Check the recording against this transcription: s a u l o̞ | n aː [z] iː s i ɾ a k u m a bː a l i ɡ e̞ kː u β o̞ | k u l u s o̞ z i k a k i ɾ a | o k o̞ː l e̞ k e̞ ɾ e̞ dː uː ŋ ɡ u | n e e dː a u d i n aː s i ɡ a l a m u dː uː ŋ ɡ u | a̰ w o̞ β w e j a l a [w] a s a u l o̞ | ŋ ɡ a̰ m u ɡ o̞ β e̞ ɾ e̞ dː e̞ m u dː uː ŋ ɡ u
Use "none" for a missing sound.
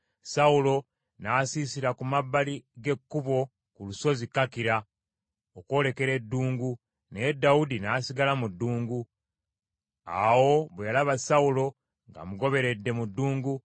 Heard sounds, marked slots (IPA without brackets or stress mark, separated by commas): s, β